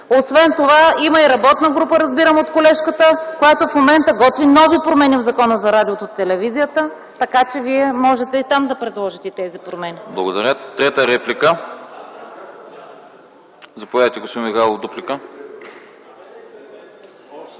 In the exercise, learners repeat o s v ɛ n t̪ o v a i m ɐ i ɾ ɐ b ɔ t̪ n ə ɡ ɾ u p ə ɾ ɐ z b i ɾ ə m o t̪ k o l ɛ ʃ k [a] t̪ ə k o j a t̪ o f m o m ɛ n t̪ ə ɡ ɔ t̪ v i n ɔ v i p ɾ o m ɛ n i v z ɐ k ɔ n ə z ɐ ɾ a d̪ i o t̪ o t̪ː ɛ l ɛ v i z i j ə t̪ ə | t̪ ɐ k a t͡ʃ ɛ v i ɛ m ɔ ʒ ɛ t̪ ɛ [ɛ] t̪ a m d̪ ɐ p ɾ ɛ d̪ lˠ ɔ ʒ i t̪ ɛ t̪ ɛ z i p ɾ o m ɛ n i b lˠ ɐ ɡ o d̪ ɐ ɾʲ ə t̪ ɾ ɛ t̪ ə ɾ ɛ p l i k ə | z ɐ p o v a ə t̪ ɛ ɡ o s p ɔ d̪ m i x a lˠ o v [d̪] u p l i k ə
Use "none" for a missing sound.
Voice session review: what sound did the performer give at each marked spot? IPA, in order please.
ə, i, d̪

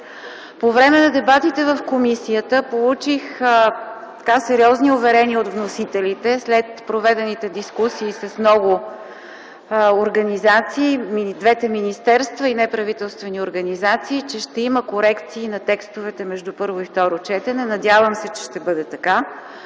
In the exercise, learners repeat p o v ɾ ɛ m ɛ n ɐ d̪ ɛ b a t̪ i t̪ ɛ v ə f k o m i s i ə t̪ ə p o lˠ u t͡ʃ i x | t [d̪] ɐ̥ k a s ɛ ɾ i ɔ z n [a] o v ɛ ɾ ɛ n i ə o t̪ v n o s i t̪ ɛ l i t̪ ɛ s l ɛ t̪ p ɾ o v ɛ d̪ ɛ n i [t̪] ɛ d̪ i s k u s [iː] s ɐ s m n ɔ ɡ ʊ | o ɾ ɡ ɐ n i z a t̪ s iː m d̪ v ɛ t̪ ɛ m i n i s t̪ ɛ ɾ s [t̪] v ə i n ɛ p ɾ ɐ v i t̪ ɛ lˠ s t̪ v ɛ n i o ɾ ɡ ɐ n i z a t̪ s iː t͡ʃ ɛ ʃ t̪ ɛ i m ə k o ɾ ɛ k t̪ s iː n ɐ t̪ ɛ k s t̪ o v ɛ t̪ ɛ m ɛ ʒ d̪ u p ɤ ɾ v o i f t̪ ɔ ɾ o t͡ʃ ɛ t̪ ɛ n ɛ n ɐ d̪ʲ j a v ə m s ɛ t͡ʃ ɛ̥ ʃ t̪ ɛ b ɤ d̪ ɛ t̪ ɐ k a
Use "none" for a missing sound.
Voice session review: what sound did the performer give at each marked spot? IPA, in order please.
t̪, i, t̪, iː, t̪

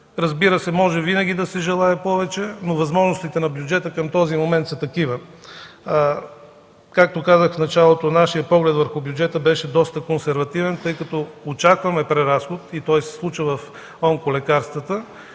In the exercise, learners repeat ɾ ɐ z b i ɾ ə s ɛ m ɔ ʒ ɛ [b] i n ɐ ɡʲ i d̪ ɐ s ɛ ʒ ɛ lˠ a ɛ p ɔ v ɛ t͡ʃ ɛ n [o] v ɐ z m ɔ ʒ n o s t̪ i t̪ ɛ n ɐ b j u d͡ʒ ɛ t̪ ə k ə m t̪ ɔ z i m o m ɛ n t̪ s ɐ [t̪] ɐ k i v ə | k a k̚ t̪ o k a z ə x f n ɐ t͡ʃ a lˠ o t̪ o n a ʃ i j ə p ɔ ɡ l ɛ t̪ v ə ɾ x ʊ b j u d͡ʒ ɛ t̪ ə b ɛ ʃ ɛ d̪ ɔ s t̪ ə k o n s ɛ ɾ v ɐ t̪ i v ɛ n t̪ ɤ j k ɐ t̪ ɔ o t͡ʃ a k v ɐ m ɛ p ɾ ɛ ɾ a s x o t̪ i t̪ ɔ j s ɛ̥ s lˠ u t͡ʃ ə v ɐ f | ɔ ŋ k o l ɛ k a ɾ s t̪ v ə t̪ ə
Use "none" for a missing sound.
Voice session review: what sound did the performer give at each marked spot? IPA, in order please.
v, o, t̪

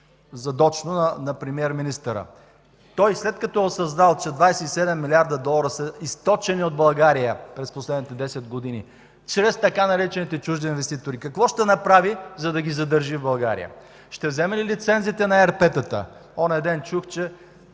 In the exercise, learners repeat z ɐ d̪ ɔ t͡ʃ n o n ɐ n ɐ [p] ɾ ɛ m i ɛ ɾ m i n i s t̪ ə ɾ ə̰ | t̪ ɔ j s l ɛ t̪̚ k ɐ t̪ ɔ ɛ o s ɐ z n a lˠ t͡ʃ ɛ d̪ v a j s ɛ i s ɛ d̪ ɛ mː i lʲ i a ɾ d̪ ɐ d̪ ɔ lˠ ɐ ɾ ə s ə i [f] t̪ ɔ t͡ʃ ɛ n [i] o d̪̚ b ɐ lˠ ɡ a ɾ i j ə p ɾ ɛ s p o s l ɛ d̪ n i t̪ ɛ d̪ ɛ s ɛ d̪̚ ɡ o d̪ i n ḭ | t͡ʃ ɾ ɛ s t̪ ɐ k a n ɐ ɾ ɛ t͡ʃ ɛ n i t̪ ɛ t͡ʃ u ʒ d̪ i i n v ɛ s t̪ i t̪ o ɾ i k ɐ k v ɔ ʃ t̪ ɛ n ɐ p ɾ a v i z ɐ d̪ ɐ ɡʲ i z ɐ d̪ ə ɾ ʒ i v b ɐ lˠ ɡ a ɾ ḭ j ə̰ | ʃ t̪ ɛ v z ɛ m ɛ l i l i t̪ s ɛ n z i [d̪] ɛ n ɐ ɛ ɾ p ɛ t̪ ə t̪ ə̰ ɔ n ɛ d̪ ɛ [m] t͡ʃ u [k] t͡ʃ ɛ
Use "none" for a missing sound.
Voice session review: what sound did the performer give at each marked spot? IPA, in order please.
p, s, i, t̪, n, x

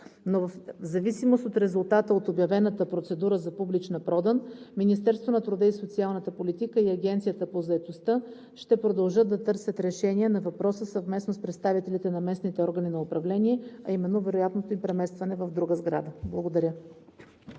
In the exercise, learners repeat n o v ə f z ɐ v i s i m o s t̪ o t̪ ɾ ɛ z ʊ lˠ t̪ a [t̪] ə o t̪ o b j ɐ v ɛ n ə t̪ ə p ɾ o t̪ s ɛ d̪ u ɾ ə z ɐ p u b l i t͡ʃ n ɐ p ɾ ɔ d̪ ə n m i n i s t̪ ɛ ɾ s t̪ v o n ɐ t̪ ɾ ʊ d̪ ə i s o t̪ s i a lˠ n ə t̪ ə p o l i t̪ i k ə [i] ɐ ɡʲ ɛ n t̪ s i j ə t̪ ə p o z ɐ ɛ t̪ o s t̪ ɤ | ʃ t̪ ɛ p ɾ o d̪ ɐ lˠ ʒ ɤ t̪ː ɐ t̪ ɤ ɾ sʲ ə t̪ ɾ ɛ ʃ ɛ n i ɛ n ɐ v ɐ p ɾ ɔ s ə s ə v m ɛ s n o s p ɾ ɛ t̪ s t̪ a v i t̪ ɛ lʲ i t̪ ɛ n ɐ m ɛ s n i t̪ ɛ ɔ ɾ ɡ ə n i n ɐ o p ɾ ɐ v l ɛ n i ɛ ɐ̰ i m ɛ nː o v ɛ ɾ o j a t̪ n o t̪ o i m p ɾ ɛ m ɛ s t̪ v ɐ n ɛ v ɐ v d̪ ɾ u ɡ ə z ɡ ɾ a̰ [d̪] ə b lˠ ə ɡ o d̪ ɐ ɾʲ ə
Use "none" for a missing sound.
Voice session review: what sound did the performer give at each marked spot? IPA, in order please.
t̪, i, d̪

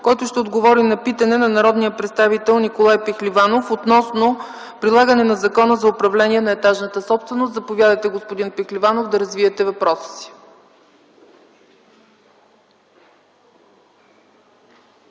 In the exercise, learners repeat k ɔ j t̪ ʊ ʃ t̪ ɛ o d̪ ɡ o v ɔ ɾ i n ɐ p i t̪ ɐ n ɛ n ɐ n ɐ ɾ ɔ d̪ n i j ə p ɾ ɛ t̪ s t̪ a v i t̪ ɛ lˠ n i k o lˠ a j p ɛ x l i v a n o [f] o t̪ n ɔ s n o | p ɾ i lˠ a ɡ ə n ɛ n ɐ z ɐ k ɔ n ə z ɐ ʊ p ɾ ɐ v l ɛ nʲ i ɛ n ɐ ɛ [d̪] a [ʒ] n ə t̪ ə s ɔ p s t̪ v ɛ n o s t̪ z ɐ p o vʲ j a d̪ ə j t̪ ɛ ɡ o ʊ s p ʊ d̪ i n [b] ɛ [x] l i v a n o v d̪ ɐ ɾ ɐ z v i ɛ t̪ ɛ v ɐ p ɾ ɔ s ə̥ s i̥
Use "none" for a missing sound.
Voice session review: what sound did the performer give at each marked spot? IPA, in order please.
f, t̪, ʒ, p, x

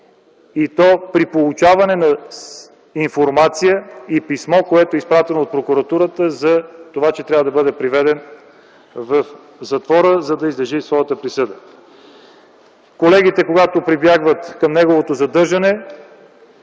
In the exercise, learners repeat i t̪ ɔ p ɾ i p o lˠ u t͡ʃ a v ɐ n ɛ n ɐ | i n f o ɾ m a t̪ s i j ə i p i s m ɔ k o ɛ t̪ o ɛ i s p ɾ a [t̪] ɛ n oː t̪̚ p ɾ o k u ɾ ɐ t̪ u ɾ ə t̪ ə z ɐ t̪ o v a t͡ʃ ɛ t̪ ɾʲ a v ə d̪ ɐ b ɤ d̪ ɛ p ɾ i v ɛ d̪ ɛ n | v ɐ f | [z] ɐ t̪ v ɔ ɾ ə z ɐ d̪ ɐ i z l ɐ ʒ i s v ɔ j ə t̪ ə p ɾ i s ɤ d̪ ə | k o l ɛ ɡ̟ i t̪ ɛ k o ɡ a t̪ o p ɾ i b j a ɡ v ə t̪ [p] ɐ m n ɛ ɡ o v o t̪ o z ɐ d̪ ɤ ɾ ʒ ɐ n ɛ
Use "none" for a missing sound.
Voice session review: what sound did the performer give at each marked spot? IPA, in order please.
t̪, z, k

